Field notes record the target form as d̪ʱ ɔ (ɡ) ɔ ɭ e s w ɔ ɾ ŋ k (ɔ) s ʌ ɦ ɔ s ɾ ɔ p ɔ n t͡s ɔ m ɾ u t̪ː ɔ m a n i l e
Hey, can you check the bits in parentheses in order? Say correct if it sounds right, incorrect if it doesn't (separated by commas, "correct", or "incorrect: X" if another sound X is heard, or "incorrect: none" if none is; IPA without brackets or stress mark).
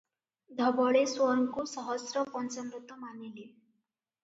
incorrect: b, incorrect: u